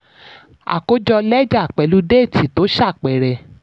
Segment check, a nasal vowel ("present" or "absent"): absent